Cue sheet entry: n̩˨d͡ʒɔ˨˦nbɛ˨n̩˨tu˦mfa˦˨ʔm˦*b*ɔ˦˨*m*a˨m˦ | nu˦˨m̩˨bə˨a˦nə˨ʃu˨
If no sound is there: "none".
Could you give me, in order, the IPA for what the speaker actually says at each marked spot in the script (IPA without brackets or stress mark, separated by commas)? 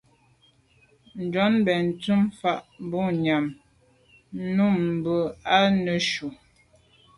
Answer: b, ɲ